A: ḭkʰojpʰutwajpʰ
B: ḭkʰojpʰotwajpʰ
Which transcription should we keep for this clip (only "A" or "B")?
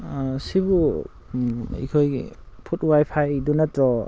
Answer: A